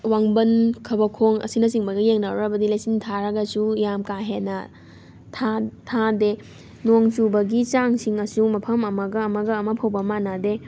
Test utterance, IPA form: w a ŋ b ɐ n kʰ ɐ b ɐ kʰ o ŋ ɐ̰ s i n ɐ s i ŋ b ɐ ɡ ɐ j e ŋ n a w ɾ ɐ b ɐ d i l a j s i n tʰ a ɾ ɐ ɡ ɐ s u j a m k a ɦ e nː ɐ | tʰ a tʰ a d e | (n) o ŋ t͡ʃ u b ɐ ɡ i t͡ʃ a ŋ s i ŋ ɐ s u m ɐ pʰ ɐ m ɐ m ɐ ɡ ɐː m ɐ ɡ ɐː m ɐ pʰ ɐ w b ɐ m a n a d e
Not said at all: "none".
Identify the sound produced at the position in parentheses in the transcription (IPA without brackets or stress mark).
n